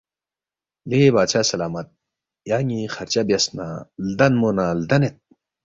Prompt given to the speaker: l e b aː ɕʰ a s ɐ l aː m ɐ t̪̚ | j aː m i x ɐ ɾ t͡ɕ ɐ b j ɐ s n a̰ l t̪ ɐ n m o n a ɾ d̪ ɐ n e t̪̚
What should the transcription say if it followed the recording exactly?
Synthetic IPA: l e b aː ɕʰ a s ɐ l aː m ɐ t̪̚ | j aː ŋ i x ɐ ɾ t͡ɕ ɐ b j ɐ s n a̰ l d̪ ɐ n m o n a l d̪ ɐ n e t̪̚